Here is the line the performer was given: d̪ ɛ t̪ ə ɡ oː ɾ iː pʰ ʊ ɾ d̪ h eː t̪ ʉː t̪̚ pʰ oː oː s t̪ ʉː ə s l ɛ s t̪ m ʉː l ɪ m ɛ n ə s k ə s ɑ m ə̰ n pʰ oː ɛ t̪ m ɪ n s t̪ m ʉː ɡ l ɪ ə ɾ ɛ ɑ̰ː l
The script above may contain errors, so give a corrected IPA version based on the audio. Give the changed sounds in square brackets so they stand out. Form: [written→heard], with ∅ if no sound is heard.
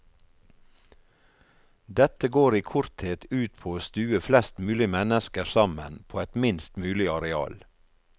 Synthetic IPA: d̪ ɛ t̪ ə ɡ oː ɾ iː [pʰ→kʰ] ʊ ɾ [d̪→t̪] h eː t̪ ʉː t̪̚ pʰ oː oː s t̪ ʉː ə [s→f] l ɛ s t̪ m ʉː l ɪ m ɛ n ə s k ə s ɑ m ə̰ n pʰ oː ɛ t̪ m ɪ n s t̪ m ʉː [ɡ→∅] l ɪ [ə→ɑ] ɾ ɛ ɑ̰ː l